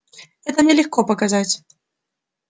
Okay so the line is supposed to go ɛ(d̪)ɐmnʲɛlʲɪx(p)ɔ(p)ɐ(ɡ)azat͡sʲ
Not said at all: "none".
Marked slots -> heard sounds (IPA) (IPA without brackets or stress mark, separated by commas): t̪, k, p, k